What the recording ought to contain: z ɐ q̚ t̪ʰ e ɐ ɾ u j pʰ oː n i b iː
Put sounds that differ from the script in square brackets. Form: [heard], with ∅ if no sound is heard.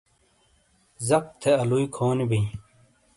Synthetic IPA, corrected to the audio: z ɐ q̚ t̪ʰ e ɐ [l] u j [kʰ] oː n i b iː